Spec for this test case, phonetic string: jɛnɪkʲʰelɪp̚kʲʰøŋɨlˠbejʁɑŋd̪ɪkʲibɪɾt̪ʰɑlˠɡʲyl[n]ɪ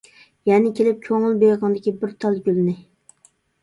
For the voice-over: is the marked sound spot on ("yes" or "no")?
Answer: yes